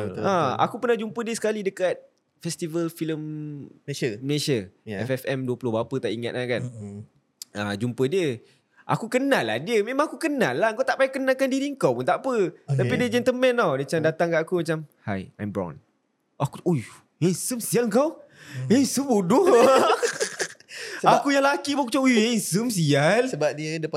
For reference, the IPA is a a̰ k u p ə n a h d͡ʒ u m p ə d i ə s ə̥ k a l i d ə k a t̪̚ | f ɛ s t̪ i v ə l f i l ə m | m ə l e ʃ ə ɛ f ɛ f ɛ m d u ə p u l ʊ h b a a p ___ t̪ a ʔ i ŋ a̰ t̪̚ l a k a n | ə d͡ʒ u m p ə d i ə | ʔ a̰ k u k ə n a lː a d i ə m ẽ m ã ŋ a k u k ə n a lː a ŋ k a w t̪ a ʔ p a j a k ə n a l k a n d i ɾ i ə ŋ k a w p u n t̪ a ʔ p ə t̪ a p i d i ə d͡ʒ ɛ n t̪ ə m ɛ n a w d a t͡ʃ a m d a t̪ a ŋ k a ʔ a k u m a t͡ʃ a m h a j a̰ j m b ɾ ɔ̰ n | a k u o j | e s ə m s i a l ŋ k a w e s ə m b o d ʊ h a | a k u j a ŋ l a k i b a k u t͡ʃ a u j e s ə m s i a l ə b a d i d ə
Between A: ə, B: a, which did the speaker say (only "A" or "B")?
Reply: A